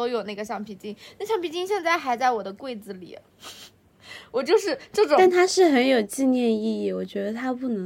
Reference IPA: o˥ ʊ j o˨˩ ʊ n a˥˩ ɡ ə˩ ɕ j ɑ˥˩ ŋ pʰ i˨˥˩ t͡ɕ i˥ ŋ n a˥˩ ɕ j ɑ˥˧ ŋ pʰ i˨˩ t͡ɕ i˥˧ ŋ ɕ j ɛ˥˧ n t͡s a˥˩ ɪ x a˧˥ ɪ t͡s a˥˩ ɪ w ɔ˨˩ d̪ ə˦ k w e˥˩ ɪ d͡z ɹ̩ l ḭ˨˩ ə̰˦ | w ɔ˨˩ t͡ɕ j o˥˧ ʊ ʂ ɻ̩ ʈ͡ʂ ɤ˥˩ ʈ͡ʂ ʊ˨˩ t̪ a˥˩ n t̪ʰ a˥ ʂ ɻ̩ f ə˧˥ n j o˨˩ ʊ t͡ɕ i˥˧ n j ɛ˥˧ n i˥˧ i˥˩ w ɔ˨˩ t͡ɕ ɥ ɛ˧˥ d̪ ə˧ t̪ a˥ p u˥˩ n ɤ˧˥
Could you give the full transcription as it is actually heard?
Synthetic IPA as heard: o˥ ʊ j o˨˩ ʊ n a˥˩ ɡ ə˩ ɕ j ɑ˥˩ ŋ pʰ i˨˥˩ t͡ɕ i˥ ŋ n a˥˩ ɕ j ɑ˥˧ ŋ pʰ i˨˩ t͡ɕ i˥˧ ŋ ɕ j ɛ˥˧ n t͡s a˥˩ ɪ x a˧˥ ɪ t͡s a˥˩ ɪ w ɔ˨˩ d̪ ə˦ k w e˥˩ ɪ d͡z ɹ̩ l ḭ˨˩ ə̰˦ | w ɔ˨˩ t͡ɕ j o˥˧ ʊ ʂ ɻ̩ ʈ͡ʂ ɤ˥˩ ʈ͡ʂ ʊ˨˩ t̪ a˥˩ n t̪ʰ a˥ ʂ ɻ̩ x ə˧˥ n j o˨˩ ʊ t͡ɕ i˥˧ n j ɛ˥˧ n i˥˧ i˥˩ w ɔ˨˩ t͡ɕ ɥ ɛ˧˥ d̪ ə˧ t̪ʰ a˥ p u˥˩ n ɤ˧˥